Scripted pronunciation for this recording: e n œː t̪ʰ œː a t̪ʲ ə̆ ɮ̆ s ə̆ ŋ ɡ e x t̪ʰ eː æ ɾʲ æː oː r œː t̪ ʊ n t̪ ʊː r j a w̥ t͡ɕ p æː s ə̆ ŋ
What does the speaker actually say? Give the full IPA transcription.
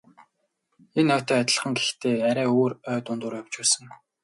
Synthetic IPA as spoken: e n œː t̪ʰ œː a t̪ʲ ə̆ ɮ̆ χ ə̆ ŋ ɡ e x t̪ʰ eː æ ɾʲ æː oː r œː t̪ ʊ n t̪ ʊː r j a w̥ t͡ɕ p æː s ə̆ ŋ